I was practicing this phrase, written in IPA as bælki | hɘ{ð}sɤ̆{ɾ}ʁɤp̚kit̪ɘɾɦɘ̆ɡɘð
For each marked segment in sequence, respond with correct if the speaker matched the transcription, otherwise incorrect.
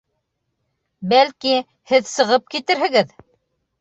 correct, incorrect

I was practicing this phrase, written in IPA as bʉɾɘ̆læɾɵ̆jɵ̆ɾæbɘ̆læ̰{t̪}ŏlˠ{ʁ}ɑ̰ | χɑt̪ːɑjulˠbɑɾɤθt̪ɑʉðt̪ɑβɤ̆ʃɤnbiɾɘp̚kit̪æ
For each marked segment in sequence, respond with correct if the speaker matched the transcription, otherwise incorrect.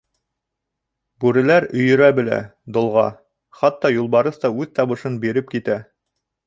incorrect, correct

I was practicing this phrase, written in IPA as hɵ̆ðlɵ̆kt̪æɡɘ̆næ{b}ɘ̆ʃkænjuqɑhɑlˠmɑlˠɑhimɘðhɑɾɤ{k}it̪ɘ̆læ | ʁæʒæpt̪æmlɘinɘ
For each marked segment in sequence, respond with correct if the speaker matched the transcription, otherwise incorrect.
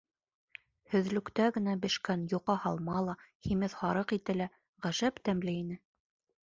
correct, incorrect

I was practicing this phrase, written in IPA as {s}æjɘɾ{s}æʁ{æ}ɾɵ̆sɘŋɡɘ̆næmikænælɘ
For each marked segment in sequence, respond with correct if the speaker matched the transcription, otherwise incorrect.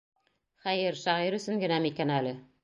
incorrect, incorrect, incorrect

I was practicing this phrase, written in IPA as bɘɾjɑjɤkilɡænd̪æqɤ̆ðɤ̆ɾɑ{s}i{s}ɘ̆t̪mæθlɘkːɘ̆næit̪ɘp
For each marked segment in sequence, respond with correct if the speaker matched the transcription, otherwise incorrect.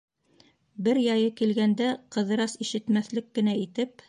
correct, incorrect

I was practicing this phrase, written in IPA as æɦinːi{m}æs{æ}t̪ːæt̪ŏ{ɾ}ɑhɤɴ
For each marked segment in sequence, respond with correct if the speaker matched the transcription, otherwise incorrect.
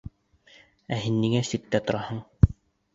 incorrect, incorrect, correct

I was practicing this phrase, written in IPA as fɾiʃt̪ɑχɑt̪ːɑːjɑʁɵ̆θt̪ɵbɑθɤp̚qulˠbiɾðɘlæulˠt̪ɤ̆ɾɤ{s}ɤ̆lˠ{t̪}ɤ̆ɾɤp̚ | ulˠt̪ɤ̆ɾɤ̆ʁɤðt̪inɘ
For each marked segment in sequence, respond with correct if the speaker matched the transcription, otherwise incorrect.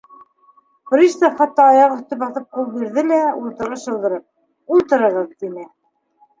incorrect, incorrect

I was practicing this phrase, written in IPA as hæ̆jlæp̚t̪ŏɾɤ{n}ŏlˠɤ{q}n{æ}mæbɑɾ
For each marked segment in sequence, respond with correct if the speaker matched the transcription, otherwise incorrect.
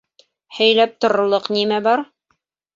incorrect, correct, incorrect

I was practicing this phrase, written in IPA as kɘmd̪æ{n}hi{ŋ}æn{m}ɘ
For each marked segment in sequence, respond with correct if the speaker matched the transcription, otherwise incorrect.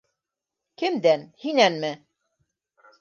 correct, incorrect, correct

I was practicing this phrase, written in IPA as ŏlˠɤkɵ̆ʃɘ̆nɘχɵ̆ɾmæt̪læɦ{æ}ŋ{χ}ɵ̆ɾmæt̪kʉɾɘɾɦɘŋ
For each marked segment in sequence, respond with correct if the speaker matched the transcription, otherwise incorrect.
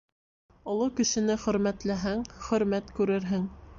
correct, correct

